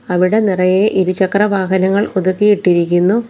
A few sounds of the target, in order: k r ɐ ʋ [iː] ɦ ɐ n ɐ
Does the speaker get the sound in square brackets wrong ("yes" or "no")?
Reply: yes